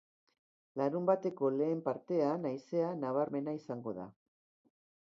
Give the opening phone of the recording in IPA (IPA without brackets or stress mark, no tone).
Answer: l